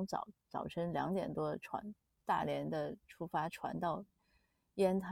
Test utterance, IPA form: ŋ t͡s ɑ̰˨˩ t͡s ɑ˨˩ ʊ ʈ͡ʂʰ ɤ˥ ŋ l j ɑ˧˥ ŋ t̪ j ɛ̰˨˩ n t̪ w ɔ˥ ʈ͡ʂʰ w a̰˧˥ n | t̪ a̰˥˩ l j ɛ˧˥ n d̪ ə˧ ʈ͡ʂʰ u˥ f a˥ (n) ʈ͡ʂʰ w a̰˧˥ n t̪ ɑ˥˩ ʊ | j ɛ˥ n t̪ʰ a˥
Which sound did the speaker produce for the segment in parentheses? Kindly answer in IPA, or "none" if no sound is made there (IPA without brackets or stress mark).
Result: none